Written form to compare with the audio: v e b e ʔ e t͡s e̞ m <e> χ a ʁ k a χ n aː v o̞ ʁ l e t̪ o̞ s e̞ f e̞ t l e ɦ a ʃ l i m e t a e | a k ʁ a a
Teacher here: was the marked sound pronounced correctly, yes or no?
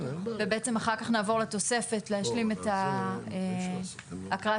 no